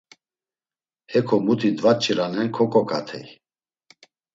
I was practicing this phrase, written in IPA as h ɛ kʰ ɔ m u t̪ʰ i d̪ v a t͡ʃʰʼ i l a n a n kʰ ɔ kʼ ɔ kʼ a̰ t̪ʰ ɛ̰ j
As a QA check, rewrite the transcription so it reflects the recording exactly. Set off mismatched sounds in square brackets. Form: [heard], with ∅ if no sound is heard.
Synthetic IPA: h ɛ kʰ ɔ m u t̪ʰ i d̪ v a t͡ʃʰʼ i [ɾ] a n [ɛ] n kʰ ɔ kʼ ɔ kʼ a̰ t̪ʰ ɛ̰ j